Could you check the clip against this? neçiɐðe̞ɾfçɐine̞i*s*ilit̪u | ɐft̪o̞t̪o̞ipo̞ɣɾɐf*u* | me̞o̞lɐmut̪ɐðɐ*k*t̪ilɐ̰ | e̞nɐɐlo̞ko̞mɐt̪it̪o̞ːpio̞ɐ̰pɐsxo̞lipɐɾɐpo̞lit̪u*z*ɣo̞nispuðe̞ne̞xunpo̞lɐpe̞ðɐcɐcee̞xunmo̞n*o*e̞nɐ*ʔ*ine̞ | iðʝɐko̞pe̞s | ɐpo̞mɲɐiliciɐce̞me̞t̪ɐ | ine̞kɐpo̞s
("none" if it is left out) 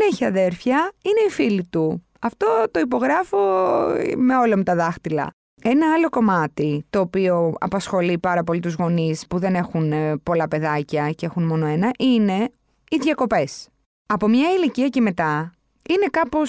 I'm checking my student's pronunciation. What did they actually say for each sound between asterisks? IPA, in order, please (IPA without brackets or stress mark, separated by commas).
f, o, x, z, o, ʔ